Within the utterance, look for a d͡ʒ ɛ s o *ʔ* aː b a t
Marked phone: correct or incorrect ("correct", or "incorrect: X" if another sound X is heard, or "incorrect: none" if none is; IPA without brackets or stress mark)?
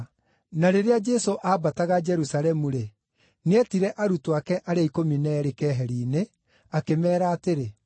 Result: correct